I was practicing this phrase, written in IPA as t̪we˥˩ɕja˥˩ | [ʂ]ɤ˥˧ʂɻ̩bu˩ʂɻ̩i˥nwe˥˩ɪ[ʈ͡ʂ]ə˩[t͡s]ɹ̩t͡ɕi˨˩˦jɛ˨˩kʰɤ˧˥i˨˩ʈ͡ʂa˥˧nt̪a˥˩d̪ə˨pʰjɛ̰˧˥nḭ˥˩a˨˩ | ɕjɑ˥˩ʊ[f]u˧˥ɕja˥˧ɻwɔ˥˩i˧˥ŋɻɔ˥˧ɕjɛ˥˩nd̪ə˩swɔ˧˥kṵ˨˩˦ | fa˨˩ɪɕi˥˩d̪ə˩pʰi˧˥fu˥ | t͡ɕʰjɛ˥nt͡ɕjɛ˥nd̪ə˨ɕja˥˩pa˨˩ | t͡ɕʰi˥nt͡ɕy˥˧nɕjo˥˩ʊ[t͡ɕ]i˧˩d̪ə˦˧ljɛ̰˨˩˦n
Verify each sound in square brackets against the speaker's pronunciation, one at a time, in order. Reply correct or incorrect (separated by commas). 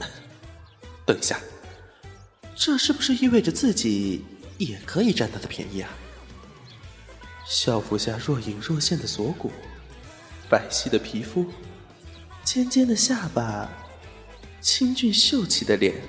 incorrect, correct, correct, correct, incorrect